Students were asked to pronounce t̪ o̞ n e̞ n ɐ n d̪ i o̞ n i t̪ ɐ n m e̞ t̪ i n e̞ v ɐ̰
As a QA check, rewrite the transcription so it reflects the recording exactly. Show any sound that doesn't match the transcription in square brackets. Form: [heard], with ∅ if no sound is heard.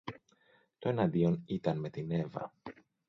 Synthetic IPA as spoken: t̪ o̞ [∅] e̞ n ɐ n d̪ i o̞ n i t̪ ɐ n m e̞ t̪ i n e̞ v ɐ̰